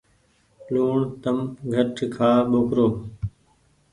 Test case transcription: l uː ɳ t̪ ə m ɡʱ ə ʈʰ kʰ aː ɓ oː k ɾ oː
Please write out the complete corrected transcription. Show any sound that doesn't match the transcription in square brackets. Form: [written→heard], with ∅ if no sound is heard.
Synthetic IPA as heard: l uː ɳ t̪ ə m ɡʱ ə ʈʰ kʰ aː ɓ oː k ɾ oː